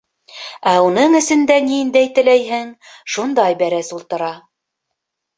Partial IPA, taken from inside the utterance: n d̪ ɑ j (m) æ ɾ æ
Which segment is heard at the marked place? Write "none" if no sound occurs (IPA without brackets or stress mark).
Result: b